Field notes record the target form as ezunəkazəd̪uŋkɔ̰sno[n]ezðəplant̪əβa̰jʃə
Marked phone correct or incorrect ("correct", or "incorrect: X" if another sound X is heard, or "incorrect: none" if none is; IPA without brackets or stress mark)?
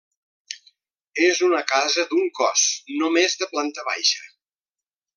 incorrect: m